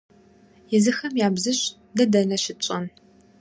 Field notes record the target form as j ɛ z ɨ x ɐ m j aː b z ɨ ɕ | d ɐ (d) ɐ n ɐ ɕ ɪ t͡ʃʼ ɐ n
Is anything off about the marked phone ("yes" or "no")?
no